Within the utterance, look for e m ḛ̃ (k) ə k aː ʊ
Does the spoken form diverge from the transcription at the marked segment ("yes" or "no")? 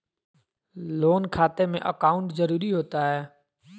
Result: yes